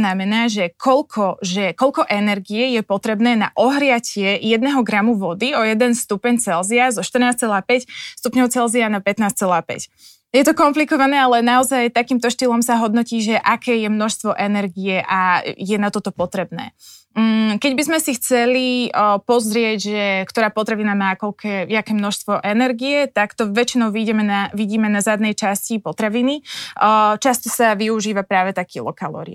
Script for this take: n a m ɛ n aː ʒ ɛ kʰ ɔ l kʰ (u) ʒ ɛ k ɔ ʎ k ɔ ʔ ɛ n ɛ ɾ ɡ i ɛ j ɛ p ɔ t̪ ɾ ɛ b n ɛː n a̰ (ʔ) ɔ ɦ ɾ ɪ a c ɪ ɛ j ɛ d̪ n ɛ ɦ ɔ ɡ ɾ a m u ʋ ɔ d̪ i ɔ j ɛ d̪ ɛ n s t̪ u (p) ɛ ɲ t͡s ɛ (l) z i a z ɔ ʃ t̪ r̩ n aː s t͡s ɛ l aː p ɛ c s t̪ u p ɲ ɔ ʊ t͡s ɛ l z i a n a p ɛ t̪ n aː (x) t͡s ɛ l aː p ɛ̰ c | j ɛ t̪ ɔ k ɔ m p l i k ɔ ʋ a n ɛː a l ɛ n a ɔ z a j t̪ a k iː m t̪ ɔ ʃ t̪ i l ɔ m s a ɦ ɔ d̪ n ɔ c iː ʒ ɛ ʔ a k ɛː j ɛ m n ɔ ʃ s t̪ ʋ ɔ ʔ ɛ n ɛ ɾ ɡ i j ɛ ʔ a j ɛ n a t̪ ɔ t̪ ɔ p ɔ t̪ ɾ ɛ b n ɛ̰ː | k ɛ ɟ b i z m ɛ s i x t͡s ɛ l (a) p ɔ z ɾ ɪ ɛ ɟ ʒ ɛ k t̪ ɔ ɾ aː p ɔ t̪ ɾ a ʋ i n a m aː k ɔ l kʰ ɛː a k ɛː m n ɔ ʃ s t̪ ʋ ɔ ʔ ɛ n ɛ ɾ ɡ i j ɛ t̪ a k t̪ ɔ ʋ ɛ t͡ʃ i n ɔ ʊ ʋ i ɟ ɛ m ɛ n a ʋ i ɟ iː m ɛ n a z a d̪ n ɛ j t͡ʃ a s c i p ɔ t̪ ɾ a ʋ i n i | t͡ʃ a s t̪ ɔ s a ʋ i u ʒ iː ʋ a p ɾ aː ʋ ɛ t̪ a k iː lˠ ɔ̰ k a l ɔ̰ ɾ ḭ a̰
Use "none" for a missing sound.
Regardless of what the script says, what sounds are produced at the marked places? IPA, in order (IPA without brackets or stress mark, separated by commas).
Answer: ɔ, ʔ, p, l, s, i